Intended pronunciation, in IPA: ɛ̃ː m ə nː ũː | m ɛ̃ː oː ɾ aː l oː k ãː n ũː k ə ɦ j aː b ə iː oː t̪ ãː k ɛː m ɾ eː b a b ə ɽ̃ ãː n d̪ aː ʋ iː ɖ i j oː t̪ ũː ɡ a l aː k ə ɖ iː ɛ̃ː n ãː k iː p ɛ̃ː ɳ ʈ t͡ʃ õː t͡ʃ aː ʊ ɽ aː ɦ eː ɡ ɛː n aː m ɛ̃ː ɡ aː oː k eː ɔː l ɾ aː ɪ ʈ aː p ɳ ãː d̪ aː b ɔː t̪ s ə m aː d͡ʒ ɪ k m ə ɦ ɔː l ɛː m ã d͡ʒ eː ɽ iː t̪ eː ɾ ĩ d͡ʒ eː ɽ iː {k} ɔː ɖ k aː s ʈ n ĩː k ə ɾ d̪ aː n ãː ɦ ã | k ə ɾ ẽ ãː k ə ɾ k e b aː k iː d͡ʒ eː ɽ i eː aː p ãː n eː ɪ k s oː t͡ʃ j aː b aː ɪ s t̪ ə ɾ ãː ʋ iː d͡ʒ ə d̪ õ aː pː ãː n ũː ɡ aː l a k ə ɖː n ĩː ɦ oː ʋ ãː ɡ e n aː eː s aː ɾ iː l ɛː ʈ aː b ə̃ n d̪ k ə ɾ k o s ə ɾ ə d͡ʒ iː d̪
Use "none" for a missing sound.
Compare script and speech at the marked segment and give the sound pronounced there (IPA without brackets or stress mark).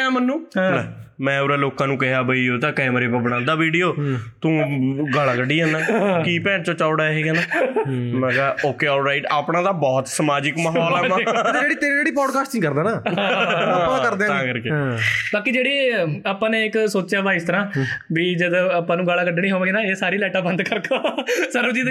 p